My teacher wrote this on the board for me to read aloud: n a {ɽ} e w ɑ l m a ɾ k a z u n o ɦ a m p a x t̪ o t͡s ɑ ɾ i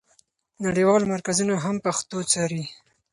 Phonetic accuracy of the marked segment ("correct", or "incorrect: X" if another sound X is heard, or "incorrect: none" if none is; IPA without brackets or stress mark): correct